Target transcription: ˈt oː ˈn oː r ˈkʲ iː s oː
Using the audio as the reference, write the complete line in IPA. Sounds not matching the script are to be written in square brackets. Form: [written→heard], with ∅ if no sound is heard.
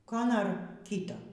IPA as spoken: [ˈt→ˈk] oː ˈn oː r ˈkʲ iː [s→t] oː